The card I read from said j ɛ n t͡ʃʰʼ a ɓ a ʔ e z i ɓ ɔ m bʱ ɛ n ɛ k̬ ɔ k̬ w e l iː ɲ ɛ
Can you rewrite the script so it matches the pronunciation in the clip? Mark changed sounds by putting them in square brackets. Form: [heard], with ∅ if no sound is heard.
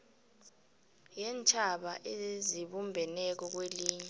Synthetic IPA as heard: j ɛ n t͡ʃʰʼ a ɓ a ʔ e z i ɓ [u] m bʱ ɛ n ɛ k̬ ɔ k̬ w e l iː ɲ ɛ